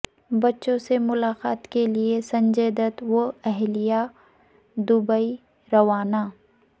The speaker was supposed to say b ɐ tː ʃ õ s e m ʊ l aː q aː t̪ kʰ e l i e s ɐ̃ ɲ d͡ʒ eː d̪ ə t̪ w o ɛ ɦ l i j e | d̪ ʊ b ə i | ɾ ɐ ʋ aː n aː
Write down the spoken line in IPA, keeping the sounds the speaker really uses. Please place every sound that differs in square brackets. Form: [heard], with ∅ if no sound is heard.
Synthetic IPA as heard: b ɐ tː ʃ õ s e m ʊ l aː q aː t̪ [k] e l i e s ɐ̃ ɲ d͡ʒ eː d̪ ə t̪ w o ɛ ɦ l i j [a] | d̪ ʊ b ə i | ɾ ɐ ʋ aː n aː

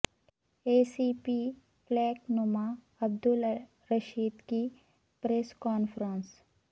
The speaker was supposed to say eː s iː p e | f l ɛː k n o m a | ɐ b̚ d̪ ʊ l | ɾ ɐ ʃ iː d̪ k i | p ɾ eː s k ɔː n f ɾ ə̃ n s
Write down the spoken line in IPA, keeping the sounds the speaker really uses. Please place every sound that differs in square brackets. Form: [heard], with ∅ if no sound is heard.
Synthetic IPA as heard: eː s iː p [i] | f l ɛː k n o m a | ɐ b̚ d̪ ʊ l | ɾ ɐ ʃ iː d̪ k i | p ɾ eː s k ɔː n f ɾ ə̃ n s

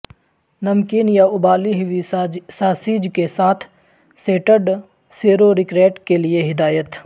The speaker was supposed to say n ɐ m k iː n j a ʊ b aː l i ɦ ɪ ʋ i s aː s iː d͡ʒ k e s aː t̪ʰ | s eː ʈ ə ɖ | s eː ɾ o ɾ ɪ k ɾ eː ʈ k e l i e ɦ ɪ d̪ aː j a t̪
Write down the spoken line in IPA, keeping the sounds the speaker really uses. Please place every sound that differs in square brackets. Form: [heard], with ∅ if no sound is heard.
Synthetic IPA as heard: n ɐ m k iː n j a ʊ b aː l i ɦ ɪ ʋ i s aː s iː d͡ʒ k e s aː t̪ʰ | s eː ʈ ə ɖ | s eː ɾ o ɾ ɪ k ɾ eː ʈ k e l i e ɦ ɪ d̪ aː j [ə] t̪

